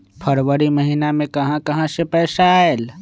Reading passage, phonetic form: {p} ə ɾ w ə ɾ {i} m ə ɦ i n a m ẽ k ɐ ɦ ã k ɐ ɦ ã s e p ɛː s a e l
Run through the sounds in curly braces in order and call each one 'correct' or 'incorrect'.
incorrect: pʰ, correct

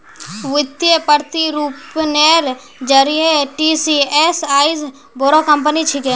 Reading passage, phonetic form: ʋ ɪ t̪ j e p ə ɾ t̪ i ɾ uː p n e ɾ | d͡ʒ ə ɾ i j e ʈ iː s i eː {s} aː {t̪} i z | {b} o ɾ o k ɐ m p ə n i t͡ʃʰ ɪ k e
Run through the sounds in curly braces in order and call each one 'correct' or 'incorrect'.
correct, incorrect: none, correct

